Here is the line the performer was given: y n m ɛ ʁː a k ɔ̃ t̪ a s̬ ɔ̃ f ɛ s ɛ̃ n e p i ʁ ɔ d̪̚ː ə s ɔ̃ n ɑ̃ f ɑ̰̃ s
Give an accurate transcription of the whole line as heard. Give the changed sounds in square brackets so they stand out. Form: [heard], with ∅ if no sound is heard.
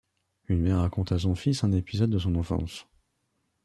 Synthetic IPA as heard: y n m ɛ ʁː a k ɔ̃ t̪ a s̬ ɔ̃ f [i] s ɛ̃ n e p i [z] ɔ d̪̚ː ə s ɔ̃ n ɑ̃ f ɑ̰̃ s